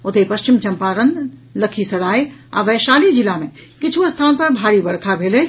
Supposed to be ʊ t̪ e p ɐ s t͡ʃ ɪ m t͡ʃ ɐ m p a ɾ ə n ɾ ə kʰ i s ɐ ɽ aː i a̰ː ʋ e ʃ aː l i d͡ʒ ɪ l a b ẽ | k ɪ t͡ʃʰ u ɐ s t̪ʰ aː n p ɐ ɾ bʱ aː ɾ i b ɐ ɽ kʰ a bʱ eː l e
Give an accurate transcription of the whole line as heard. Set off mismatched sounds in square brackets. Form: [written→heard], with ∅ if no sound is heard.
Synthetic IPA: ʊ t̪ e p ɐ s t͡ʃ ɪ m t͡ʃ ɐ m p a ɾ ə n [ɾ→l] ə kʰ i s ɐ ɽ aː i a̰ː ʋ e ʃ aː l i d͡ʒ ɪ l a [b→m] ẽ | k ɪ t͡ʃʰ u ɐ s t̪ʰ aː n p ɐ ɾ bʱ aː ɾ i b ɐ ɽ kʰ a bʱ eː l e